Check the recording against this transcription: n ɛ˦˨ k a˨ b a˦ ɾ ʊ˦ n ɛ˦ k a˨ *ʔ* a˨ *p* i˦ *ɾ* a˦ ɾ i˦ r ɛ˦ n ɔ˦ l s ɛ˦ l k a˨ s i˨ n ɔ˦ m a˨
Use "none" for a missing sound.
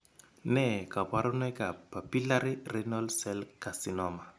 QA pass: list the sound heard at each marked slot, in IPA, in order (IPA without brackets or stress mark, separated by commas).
p, p, l